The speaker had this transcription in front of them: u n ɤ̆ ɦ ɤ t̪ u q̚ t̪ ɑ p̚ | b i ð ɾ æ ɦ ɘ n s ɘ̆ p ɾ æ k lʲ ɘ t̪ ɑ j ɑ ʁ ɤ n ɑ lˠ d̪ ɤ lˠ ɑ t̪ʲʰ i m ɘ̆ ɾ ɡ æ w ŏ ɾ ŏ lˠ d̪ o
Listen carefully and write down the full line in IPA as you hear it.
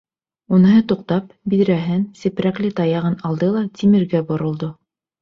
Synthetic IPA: u n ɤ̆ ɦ ɤ t̪ u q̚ t̪ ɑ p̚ | b i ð ɾ æ ɦ ɘ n s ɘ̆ p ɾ æ k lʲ ɘ t̪ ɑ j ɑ ʁ ɤ n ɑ lˠ d̪ ɤ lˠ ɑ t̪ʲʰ i m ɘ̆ ɾ ɡ æ b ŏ ɾ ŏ lˠ d̪ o